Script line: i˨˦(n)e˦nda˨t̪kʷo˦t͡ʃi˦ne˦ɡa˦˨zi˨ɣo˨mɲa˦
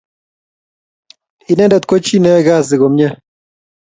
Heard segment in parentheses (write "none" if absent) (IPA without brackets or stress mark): n